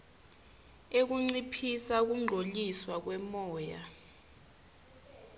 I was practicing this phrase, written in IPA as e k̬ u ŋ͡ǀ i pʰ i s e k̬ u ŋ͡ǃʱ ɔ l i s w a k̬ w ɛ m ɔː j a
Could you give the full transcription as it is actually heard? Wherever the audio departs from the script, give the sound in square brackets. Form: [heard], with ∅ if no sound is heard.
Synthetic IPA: e k̬ u ŋ͡ǀ i pʰ i s [a] k̬ u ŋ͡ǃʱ [o] l i s w a k̬ w ɛ m ɔː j a

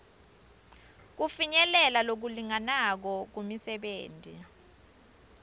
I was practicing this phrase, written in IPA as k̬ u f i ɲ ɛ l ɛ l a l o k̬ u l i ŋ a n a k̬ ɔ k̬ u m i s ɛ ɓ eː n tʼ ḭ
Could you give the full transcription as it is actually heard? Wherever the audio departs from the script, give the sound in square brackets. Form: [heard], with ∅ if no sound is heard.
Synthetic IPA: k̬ u f i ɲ ɛ l ɛ l a l o k̬ u l i ŋ a n a k̬ ɔ k̬ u m i s ɛ ɓ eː n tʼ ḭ

